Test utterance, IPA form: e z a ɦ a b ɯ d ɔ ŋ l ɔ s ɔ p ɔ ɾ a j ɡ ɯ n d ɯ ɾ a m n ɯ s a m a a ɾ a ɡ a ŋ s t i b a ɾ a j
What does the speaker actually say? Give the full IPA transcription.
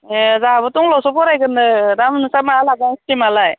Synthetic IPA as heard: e z a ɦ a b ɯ t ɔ ŋ l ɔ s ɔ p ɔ ɾ a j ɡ ɯ n d ɯ ɾ a m n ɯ s a m a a l a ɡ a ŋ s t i m a l a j